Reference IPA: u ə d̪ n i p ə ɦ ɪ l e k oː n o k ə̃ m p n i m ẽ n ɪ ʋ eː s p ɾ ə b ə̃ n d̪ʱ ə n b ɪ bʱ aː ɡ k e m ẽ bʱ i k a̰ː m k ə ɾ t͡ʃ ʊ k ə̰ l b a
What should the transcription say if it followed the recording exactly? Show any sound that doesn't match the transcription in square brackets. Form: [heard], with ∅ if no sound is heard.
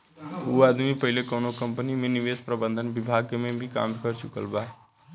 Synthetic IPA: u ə d̪ [m] i p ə ɦ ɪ l e k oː n o k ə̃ m p n i m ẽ n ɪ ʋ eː s p ɾ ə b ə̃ n d̪ʱ ə n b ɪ bʱ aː ɡ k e m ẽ bʱ i k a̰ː m k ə ɾ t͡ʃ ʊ k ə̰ l b a